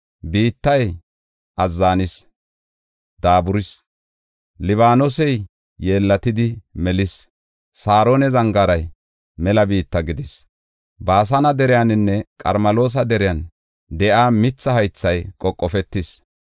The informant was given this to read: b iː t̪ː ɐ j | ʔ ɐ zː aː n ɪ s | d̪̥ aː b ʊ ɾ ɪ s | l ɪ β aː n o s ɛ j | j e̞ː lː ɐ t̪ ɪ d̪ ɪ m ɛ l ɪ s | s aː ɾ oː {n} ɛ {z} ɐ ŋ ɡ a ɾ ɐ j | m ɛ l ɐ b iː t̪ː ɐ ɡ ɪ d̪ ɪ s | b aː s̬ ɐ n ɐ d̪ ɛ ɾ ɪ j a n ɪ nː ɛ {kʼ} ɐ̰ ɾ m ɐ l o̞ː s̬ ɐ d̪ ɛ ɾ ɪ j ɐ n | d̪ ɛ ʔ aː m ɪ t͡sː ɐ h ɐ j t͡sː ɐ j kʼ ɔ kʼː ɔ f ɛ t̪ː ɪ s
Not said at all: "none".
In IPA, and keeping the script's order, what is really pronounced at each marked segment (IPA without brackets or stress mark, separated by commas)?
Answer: n, z, kʼ